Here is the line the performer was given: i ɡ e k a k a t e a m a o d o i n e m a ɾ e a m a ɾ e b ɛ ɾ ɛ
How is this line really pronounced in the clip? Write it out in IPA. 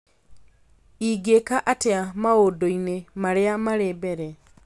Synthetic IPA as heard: i ɡ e k a ʔ a t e a m a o d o i n e m a ɾ e a m a ɾ e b ɛ ɾ ɛ